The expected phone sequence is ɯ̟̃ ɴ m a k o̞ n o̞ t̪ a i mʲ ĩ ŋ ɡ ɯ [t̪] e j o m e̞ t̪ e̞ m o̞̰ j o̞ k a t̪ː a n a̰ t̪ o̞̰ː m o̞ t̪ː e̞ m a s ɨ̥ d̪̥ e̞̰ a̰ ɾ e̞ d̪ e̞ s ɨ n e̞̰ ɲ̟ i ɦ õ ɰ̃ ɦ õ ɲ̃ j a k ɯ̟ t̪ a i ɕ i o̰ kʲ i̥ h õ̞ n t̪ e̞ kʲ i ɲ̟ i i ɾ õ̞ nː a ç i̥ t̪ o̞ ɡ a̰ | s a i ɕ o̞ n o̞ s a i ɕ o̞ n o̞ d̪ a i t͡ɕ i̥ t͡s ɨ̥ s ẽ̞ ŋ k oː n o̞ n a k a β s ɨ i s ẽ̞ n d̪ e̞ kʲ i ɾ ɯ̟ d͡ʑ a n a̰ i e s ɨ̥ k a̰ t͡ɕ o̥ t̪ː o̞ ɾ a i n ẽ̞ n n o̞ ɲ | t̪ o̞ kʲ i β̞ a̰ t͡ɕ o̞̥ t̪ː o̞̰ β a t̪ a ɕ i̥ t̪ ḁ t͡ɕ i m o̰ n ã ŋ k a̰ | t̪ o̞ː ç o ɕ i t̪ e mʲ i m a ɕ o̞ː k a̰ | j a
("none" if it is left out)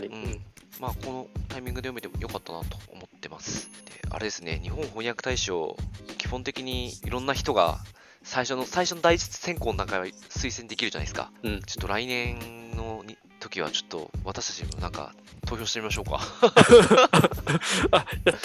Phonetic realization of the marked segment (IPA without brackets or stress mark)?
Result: d̪